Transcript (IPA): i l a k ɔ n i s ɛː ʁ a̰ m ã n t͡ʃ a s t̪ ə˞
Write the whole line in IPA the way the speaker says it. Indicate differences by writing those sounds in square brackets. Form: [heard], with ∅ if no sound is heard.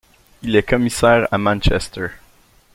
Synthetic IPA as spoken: i l [ɛ] k ɔ [m] i s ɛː ʁ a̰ m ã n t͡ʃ [ɛ] s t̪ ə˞